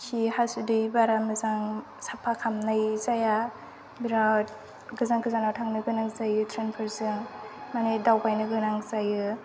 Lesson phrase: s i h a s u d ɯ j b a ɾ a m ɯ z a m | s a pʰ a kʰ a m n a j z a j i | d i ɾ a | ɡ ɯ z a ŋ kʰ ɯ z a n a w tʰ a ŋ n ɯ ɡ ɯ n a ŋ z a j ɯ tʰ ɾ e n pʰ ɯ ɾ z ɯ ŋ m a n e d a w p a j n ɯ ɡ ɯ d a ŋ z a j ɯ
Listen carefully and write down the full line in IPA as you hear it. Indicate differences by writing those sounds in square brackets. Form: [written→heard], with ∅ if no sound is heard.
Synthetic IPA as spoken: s i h a s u d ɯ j b a ɾ a m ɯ z a [m→ŋ] | s a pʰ a kʰ a m n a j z a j [i→a] | [d→b] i ɾ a | ɡ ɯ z a ŋ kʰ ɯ z a n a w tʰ a ŋ n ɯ ɡ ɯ n a ŋ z a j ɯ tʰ ɾ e n pʰ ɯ ɾ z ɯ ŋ m a n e d a w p a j n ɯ ɡ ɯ [d→n] a ŋ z a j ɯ